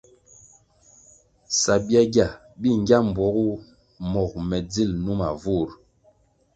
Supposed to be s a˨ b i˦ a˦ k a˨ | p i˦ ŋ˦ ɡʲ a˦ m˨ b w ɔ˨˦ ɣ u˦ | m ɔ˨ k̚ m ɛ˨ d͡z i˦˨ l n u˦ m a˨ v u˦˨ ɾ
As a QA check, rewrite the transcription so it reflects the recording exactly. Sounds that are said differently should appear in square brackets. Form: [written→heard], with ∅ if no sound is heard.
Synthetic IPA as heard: s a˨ b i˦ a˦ [k→ɡ] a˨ | [p→b] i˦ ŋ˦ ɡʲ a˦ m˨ b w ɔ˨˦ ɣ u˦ | m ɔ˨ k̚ m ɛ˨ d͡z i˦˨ l n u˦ m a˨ v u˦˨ ɾ